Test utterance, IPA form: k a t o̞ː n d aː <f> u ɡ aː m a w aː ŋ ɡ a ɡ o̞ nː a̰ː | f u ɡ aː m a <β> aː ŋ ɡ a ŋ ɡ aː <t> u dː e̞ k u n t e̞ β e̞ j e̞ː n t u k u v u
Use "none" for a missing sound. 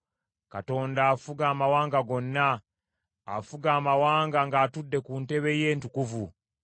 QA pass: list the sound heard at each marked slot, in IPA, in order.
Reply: f, w, t

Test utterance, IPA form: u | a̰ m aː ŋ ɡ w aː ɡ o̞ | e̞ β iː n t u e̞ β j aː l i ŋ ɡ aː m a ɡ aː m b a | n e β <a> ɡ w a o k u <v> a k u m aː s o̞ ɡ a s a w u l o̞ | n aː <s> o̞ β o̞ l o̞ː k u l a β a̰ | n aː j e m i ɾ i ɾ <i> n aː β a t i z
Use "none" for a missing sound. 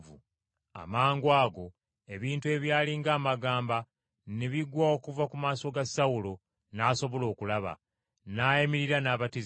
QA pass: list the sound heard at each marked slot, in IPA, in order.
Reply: i, v, s, a

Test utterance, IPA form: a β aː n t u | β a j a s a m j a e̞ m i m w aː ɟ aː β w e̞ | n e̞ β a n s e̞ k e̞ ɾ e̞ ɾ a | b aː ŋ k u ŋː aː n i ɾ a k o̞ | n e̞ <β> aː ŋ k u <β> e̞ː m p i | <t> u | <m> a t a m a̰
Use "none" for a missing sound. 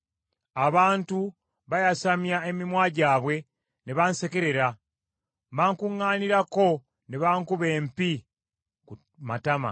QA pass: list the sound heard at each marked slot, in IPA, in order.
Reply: β, β, k, m

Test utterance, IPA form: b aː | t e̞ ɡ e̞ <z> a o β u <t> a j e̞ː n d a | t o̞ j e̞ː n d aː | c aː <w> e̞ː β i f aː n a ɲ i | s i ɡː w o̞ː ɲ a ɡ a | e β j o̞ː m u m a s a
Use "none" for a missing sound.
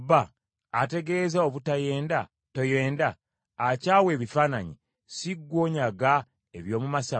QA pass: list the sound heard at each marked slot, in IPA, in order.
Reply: z, t, w

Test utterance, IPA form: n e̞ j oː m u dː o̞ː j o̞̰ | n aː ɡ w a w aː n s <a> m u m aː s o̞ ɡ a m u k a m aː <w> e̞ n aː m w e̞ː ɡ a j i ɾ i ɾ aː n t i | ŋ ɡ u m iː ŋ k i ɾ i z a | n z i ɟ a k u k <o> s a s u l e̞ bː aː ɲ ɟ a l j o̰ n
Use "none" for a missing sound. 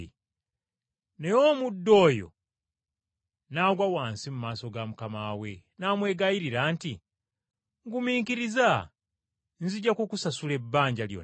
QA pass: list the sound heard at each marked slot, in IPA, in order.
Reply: i, w, u

